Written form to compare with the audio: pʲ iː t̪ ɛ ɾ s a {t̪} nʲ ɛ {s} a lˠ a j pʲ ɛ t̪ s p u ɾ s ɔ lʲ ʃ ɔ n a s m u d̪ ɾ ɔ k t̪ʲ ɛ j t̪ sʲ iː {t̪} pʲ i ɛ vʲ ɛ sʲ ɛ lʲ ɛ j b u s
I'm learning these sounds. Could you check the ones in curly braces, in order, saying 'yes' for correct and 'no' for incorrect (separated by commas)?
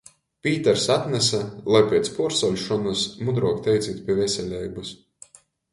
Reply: yes, yes, yes